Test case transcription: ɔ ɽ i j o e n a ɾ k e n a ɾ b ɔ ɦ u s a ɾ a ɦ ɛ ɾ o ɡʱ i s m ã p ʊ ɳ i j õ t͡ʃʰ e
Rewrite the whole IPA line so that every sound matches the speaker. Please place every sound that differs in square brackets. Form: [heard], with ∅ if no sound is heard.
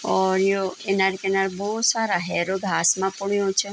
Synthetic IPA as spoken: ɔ [ɾ] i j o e n a ɾ k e n a ɾ b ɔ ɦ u s a ɾ a ɦ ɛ ɾ o ɡʱ [a] s m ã p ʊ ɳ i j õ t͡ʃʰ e